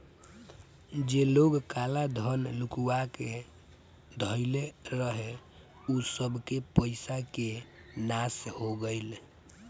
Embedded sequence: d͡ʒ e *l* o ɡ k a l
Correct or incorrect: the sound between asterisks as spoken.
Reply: correct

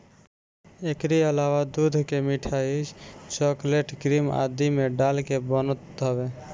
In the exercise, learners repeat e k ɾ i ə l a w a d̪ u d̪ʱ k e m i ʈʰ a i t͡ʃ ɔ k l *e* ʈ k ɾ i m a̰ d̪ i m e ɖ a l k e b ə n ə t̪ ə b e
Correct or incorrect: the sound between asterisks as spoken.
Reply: correct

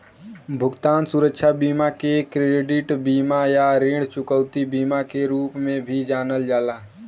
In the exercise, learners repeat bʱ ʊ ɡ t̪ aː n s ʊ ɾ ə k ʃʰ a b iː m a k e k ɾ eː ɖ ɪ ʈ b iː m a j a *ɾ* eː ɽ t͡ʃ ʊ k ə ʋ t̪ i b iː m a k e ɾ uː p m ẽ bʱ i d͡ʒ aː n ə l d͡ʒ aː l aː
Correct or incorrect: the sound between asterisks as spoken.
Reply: correct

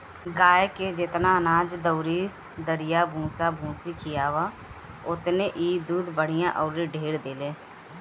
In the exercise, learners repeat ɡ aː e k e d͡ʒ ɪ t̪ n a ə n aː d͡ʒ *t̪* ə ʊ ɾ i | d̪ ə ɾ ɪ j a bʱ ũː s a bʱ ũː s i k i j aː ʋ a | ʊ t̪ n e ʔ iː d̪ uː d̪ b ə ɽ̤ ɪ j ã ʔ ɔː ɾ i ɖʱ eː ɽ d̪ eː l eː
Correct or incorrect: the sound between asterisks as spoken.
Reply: incorrect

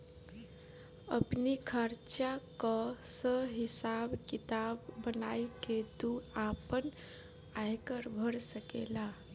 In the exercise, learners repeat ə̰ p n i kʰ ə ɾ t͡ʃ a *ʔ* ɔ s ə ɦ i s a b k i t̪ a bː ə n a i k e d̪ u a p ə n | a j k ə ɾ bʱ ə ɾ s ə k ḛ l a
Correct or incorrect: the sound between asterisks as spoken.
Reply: incorrect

